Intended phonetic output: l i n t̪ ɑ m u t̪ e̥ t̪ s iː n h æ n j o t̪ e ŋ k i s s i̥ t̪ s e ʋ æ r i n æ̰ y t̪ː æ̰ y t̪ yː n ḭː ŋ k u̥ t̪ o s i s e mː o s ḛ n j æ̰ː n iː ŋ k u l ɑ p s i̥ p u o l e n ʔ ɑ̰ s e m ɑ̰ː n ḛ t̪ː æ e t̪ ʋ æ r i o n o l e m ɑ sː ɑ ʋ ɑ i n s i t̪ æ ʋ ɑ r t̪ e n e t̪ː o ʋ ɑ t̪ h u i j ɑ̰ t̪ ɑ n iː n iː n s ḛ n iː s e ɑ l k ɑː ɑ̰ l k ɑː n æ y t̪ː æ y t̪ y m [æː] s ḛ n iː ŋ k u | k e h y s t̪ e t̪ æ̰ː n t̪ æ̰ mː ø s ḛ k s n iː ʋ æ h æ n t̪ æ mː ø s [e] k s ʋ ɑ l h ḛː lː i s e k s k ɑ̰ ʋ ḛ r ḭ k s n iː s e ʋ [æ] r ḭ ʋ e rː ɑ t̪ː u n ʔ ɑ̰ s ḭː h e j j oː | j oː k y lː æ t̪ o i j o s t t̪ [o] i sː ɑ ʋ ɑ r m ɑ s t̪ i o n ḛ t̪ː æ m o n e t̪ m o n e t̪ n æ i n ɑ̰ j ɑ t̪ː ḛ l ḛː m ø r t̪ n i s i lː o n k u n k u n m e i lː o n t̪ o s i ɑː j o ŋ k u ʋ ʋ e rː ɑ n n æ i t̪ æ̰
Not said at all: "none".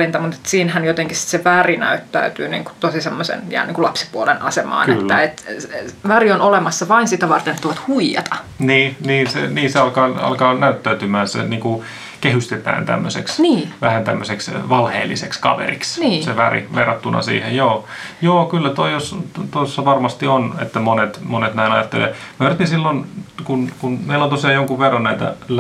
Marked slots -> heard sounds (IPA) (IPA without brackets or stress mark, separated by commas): æː, e, æ, o